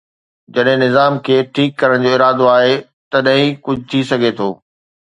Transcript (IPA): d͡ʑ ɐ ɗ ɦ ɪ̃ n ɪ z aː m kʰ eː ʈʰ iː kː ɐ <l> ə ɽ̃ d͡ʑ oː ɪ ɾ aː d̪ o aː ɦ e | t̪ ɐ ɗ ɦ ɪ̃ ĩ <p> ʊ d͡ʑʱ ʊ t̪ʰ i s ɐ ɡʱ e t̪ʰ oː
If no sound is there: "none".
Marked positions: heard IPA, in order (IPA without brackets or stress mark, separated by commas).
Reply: ɾ, k